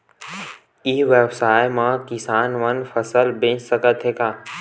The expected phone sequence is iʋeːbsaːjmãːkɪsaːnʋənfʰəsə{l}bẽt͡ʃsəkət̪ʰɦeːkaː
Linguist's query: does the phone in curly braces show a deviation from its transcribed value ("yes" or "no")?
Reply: no